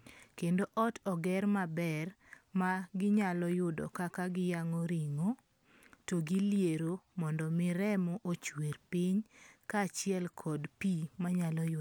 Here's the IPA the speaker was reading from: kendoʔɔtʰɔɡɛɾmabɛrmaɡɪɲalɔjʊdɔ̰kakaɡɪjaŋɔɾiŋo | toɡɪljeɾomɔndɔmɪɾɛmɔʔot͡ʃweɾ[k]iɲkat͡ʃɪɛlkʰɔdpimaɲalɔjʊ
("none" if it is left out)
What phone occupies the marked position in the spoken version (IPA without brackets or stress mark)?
p